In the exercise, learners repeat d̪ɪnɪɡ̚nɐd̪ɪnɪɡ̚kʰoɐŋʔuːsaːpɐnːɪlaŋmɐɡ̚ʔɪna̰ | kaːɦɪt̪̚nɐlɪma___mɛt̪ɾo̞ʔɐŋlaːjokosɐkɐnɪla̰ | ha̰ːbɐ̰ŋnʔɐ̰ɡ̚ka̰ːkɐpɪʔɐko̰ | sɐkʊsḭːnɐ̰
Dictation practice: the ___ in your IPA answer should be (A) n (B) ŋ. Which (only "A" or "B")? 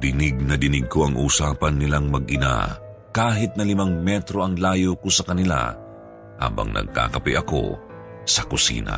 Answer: B